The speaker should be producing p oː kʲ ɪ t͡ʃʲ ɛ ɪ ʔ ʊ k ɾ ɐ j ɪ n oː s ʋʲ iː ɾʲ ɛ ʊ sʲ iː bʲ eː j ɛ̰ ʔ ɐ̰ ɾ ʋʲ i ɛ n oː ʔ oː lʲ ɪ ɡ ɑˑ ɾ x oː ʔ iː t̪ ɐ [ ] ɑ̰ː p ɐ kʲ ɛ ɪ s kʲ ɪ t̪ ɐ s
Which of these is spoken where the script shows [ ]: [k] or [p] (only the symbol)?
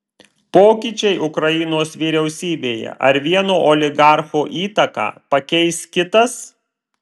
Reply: k